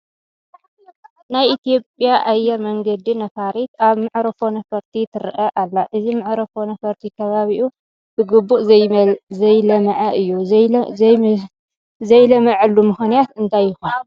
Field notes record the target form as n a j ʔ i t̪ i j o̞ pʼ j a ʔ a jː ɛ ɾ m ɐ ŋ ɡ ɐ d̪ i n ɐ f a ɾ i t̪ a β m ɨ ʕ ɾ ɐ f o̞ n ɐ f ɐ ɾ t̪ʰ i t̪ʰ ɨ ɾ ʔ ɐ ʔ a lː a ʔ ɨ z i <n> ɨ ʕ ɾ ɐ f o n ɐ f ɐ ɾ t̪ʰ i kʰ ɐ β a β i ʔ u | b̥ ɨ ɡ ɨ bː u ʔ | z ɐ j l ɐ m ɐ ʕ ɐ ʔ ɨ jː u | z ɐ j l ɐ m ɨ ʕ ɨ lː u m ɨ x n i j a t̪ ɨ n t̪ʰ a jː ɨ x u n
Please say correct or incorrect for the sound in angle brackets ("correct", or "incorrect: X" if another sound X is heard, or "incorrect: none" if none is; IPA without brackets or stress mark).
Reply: incorrect: m